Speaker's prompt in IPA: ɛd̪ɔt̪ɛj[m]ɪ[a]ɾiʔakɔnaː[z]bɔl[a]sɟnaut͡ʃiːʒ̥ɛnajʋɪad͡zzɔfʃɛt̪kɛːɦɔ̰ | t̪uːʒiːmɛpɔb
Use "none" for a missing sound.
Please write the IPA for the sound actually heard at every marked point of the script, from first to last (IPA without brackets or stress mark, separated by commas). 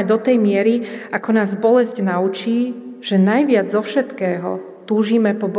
m, ɛ, z, ɛ